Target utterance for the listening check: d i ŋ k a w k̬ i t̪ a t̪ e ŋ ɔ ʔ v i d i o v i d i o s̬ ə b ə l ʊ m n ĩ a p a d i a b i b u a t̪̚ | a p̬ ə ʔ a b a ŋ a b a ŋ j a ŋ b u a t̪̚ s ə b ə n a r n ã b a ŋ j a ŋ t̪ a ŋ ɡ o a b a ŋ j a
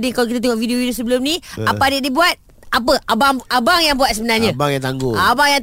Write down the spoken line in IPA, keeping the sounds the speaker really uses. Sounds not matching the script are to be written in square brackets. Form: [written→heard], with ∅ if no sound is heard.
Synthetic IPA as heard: d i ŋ k a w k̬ i t̪ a t̪ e ŋ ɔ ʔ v i d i o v i d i o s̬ ə b ə l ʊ m n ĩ a p a d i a [b→d] i b u a t̪̚ | a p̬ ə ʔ a b a ŋ a b a ŋ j a ŋ b u a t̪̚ s ə b ə n a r [n→ɲ] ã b a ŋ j a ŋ t̪ a ŋ ɡ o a b a ŋ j a